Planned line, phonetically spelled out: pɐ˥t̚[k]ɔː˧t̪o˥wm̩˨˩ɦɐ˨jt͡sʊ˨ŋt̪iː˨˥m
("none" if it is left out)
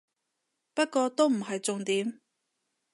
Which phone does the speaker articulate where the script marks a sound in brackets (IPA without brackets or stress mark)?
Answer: k